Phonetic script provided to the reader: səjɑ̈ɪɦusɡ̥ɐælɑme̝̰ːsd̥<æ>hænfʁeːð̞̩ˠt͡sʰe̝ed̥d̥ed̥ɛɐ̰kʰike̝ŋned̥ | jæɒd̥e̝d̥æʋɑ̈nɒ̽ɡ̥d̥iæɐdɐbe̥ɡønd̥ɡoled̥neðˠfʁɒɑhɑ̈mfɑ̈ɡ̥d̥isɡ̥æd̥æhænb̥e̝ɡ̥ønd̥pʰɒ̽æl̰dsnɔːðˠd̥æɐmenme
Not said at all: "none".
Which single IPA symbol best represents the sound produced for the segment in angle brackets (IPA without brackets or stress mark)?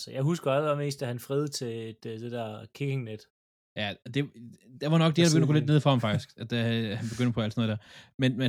æ